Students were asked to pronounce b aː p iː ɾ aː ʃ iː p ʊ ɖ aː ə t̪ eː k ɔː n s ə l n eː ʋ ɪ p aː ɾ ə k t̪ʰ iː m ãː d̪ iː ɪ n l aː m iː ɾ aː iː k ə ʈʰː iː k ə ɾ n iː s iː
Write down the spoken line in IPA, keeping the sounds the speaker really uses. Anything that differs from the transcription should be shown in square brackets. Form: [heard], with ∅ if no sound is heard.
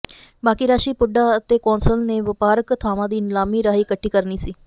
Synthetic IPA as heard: b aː [k] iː ɾ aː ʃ iː p ʊ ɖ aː ə t̪ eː k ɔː n s ə l n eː ʋ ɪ p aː ɾ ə k t̪ʰ [aː] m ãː d̪ iː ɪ n l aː m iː ɾ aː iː k ə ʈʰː iː k ə ɾ n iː s iː